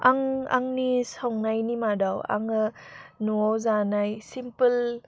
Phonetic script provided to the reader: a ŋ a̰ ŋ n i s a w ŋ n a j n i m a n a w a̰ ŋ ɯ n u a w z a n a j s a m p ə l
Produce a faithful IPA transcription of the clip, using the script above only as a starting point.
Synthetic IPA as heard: a ŋ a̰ ŋ n i s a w ŋ n a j n i m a d a w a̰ ŋ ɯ n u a w z a n a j s i m p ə l